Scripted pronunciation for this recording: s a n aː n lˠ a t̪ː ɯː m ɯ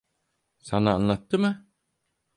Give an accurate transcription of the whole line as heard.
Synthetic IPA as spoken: s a n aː n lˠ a t̪ː ɯ m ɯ